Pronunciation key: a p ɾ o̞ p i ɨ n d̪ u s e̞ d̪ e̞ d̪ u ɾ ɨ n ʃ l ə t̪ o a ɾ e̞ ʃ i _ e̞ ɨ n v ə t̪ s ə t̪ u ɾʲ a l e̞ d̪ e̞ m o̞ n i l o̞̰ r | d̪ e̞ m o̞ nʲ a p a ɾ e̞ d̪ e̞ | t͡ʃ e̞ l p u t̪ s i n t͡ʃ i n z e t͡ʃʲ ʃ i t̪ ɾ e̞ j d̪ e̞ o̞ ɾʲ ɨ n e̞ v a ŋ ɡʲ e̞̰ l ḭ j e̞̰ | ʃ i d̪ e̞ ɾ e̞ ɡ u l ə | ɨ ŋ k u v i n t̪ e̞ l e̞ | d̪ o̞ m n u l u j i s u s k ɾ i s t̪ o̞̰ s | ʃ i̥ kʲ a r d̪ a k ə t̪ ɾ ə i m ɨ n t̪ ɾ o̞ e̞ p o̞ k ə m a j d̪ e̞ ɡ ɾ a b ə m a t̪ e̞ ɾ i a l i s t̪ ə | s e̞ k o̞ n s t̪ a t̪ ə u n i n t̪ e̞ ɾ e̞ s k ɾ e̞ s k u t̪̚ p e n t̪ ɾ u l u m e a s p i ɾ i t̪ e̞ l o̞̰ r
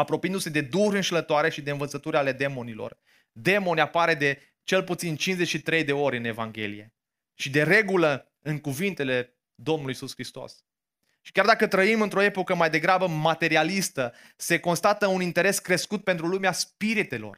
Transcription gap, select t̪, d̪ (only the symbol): d̪